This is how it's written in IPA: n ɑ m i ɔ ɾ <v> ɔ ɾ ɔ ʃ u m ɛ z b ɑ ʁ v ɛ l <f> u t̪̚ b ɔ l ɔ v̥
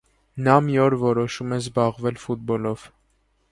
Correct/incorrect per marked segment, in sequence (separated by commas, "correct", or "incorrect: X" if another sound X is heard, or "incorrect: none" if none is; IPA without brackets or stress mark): correct, correct